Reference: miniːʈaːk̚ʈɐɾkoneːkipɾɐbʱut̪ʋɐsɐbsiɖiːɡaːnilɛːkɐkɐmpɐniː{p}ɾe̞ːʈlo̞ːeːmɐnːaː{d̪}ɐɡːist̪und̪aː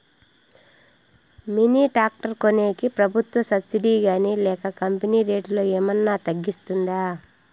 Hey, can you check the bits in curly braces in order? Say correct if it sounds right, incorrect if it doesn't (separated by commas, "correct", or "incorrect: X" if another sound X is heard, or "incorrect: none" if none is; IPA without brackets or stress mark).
incorrect: none, incorrect: t̪